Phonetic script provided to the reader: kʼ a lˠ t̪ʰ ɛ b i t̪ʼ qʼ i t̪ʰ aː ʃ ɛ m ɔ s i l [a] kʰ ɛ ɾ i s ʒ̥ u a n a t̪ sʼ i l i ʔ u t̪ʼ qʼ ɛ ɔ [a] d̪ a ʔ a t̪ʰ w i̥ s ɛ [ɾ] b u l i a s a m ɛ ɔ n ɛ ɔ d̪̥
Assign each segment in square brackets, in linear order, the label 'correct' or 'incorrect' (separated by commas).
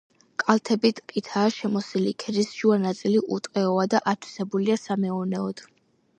incorrect, correct, incorrect